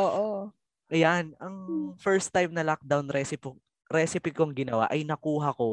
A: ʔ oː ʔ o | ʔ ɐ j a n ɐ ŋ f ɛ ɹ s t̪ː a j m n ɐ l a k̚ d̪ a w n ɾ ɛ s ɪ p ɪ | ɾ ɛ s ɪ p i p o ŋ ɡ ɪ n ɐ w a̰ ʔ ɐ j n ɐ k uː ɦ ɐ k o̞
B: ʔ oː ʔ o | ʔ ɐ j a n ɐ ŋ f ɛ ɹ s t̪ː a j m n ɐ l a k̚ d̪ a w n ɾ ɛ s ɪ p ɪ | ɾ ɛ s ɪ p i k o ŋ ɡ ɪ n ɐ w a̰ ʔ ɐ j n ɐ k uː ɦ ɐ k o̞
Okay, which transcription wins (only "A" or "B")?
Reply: B